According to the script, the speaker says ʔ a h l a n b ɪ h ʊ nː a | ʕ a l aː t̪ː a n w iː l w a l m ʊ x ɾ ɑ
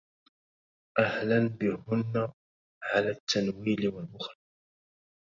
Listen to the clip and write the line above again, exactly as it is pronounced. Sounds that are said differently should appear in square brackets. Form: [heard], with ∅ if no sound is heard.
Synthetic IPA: ʔ a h l a n b ɪ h ʊ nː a | ʕ a l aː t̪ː a n w iː l w a l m ʊ x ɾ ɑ